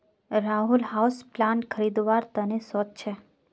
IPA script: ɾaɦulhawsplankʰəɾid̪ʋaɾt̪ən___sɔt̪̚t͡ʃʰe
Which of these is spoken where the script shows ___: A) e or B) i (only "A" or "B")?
A